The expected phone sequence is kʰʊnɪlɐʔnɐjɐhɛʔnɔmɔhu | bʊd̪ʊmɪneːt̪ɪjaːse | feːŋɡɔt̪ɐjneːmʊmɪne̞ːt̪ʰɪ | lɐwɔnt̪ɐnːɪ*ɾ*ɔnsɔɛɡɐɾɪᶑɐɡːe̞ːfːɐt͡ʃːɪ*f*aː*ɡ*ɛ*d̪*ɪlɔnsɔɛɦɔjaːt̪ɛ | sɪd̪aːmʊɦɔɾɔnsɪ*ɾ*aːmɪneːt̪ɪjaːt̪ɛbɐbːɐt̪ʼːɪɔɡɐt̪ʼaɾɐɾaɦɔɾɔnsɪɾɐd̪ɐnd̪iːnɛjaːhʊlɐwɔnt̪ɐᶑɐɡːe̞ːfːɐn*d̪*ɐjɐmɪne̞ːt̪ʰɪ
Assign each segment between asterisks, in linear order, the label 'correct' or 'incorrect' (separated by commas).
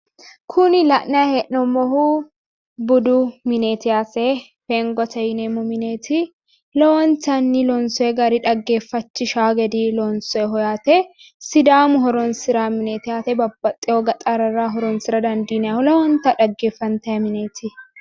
incorrect, incorrect, correct, correct, correct, incorrect